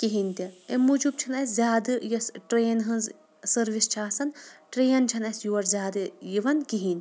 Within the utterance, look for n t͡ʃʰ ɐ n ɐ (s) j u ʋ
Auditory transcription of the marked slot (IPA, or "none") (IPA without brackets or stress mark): s